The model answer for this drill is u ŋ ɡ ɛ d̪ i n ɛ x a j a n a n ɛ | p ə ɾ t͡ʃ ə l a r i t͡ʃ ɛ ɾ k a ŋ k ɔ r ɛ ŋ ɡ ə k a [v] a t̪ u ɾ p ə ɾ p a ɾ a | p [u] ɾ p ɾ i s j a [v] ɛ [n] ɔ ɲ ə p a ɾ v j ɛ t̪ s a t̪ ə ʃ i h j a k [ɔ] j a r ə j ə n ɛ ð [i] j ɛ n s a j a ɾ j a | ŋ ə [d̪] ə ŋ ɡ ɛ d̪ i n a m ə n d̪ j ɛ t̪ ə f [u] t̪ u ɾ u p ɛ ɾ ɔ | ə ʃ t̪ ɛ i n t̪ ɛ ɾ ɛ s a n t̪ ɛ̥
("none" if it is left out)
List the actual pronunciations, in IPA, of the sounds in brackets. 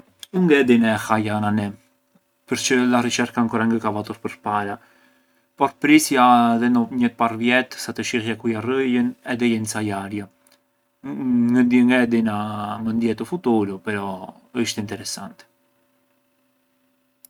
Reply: v, ɔ, ð, n, u, ɛ, d̪, u

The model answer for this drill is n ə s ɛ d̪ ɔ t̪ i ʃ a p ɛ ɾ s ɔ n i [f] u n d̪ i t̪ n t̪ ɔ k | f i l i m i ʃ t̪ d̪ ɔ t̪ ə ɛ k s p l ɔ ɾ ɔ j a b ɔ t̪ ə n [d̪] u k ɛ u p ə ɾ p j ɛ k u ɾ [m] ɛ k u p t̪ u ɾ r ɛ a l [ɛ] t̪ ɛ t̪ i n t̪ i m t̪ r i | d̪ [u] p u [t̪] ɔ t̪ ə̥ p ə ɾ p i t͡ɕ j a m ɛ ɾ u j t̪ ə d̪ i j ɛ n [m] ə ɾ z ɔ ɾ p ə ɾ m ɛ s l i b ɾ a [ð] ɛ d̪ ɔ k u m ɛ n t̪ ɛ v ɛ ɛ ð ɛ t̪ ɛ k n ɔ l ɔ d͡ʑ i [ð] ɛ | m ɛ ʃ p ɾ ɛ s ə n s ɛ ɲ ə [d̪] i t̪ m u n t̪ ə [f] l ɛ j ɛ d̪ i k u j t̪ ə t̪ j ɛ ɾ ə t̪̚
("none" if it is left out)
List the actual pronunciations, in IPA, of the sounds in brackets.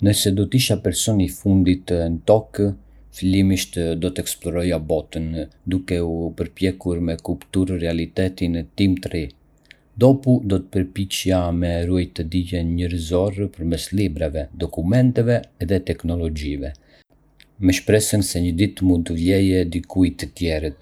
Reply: f, d̪, m, i, ɔ, d̪, ɲ, v, v, d̪, v

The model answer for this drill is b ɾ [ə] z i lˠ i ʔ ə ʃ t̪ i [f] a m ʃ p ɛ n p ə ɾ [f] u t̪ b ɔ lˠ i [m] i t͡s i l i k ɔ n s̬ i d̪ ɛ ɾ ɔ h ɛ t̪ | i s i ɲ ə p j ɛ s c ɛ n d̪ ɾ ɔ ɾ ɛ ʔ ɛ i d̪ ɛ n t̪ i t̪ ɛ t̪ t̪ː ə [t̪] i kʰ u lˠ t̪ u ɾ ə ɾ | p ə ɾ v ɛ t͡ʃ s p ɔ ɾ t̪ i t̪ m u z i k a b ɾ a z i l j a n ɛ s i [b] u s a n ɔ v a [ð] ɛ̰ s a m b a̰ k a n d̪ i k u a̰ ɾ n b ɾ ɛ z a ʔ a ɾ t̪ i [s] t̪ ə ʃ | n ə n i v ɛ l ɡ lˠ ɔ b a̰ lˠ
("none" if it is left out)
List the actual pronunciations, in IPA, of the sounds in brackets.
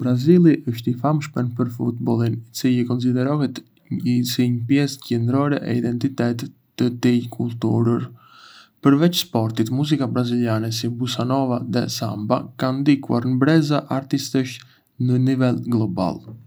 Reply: a, f, f, n, t̪, b, ð, s

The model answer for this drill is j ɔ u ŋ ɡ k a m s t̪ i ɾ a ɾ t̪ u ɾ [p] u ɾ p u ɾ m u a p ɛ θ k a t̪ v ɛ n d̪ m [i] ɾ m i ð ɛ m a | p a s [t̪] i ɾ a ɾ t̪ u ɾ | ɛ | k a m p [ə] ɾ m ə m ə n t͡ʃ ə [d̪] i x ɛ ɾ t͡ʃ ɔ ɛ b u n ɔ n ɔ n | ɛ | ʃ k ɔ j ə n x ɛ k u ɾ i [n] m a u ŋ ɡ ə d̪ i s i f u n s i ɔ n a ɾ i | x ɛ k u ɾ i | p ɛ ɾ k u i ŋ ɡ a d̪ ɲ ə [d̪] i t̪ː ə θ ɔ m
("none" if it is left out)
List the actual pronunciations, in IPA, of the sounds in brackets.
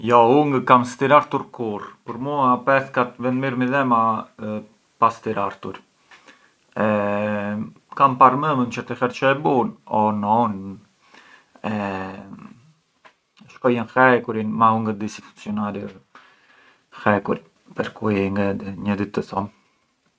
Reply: k, i, t̪, a, t̪, n, d̪

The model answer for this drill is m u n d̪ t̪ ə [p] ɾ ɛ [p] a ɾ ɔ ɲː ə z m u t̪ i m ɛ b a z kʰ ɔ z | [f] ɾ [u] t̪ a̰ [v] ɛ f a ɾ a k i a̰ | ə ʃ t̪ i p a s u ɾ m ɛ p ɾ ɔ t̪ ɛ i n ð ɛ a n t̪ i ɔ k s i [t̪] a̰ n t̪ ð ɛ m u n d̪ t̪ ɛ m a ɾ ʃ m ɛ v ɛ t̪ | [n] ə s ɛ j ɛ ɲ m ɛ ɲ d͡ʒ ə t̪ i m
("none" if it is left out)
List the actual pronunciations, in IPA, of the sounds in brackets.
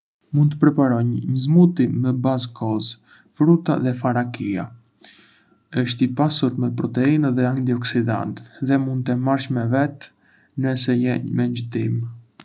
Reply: p, p, f, u, ð, d̪, n

